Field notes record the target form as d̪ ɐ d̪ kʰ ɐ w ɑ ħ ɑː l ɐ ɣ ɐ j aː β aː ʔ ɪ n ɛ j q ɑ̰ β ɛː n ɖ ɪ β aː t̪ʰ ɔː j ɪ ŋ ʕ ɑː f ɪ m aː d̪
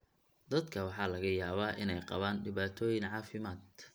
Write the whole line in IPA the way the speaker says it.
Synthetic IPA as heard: d̪ ɐ d̪ kʰ ɐ w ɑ ħ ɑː l ɐ ɣ ɐ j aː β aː ʔ ɪ n ɛ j q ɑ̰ β aː n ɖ ɪ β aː t̪ʰ ɔː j ɪ ŋ ʕ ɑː f ɪ m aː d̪